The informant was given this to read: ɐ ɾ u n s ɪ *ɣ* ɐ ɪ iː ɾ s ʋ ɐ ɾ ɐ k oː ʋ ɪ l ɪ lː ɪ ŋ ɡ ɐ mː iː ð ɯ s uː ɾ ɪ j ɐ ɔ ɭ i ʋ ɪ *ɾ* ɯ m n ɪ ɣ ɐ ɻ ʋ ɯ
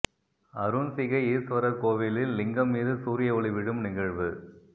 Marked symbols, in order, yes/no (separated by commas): yes, no